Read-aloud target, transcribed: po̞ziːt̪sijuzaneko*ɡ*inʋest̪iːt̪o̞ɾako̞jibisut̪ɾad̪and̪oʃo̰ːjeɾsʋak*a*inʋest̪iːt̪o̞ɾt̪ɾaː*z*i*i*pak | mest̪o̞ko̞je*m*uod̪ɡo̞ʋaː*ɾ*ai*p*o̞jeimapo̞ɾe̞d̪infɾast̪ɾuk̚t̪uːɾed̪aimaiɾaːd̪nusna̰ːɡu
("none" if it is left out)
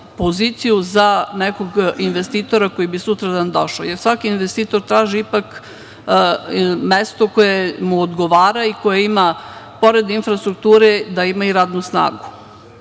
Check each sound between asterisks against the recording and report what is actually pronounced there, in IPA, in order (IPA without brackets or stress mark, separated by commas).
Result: ɡ, i, ʒ, i, m, ɾ, k